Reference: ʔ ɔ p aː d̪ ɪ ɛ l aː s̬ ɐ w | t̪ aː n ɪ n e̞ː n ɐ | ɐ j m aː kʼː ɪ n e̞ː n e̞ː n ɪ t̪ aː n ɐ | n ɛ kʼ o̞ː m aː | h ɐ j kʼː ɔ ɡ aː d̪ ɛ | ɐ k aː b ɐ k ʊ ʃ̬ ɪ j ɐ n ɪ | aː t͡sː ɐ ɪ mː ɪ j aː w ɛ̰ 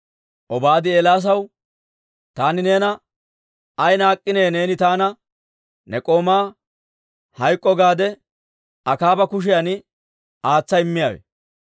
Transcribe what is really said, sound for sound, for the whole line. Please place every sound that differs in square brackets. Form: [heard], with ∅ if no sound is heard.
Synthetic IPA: ʔ ɔ [b] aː d̪ ɪ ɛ l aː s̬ ɐ w | t̪ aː n ɪ n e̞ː n ɐ | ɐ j [n] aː kʼː ɪ n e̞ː n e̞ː n ɪ t̪ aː n ɐ | n ɛ kʼ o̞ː m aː | h ɐ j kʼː ɔ ɡ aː d̪ ɛ | ɐ k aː b ɐ k ʊ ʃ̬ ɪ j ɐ n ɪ | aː t͡sː ɐ ɪ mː ɪ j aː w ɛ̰